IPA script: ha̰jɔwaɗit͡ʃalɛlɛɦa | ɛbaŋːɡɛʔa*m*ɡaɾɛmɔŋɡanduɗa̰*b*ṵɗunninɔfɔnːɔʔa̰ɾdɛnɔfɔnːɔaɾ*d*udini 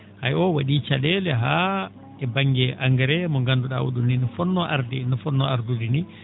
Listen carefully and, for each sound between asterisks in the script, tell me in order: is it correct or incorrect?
incorrect, incorrect, correct

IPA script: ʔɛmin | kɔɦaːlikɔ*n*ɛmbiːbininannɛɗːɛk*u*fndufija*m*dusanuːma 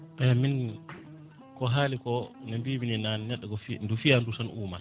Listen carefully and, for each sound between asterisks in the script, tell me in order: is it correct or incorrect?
correct, incorrect, incorrect

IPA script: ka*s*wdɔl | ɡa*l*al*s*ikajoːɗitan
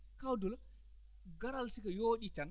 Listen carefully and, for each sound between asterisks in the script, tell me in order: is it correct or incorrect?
incorrect, incorrect, correct

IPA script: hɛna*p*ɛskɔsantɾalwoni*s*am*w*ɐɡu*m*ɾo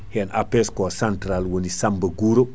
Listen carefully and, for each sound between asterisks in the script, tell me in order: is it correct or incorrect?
correct, correct, incorrect, incorrect

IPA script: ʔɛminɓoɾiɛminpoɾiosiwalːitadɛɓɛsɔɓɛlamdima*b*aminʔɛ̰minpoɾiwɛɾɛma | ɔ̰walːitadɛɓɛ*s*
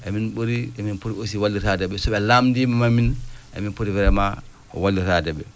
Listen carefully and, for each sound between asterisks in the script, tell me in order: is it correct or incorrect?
incorrect, incorrect

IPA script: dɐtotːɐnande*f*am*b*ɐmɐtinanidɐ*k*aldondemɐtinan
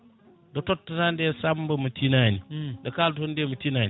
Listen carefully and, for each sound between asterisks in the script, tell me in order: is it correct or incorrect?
incorrect, correct, correct

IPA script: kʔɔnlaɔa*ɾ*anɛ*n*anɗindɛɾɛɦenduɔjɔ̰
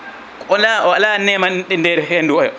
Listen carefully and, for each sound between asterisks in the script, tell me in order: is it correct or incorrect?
incorrect, incorrect

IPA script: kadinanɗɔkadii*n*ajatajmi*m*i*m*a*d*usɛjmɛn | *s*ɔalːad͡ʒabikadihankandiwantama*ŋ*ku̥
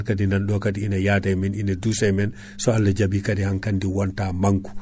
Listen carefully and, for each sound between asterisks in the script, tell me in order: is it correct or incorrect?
correct, incorrect, incorrect, correct, correct, correct

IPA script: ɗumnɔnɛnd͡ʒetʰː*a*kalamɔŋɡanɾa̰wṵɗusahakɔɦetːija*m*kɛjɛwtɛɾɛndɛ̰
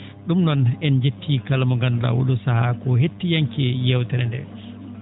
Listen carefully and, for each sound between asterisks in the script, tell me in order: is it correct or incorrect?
incorrect, incorrect

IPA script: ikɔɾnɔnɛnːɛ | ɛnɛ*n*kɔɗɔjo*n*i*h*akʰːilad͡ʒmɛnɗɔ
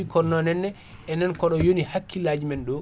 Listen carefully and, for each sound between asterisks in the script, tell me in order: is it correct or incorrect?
correct, correct, correct

